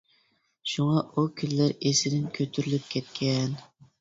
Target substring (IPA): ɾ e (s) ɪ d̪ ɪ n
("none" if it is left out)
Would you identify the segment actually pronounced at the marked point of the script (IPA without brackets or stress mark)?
s